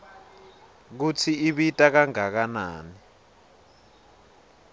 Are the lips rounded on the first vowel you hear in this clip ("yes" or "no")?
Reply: yes